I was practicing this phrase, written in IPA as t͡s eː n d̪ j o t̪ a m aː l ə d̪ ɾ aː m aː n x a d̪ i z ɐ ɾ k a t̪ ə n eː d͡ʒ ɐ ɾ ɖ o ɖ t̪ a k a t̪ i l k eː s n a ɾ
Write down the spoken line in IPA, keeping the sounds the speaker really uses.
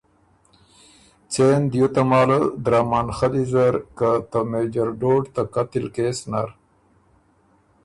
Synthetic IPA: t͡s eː n d̪ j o t̪ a m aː l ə d̪ ɾ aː m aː n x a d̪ i z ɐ ɾ k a t̪ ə m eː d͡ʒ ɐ ɾ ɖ o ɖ t̪ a k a t̪ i l k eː s n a ɾ